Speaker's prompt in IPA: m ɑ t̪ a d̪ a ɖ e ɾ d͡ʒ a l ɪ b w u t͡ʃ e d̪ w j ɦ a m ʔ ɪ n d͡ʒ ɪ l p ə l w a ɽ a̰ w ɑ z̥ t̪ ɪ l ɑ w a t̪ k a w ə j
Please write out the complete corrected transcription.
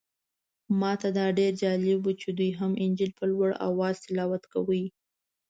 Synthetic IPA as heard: m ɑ t̪ a d̪ ɑ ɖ e ɾ d͡ʒ ɑ l ɪ b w u t͡ʃ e d̪ u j ɦ a m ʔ ɪ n d͡ʒ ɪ l p ə l w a ɽ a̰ w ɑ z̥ t̪ ɪ l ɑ w a t̪ k a w ə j